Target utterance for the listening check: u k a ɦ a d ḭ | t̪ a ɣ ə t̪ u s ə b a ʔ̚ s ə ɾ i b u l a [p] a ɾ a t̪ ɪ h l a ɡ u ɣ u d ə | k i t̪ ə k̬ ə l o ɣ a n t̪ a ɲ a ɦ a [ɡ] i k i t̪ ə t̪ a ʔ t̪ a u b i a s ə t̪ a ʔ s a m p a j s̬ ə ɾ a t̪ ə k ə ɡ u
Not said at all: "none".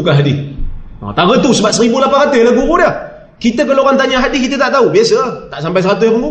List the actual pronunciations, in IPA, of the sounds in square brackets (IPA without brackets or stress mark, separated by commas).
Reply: p, d